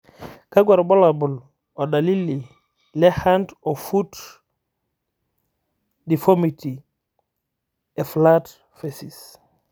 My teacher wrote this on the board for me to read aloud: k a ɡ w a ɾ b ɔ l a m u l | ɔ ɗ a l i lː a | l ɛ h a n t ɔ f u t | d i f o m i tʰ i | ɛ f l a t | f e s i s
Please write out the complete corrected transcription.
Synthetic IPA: k a ɡ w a ɾ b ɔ l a b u l | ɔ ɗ a l i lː i | l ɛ h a n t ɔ f u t | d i f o m i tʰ i | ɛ f l a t | f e s i s

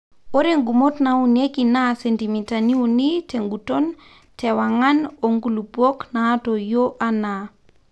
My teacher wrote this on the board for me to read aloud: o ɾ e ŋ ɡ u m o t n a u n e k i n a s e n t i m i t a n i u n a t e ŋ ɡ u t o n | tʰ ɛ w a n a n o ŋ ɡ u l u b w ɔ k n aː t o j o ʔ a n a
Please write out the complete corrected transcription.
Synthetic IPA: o ɾ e ŋ ɡ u m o t n a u n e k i n a s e n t i m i t a n i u n i t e ŋ ɡ u t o n | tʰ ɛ w a ŋ a n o ŋ ɡ u l u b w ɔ k n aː t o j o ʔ a n a

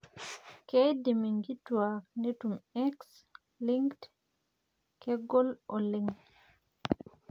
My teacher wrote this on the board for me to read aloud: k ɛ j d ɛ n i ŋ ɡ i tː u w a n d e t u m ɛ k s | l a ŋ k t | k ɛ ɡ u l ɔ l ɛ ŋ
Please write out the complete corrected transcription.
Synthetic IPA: k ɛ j d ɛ m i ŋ ɡ i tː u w a n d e t u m ɛ k s | l i ŋ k t | k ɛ ɡ ɔ l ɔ l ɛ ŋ

